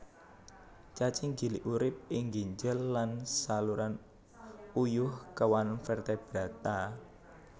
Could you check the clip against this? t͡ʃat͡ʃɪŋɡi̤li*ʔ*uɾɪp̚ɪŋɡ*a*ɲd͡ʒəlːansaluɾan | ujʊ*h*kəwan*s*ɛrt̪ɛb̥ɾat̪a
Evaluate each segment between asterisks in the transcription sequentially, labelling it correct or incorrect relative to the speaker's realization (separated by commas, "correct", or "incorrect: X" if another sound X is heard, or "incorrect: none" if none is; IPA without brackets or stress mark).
correct, incorrect: i, correct, incorrect: f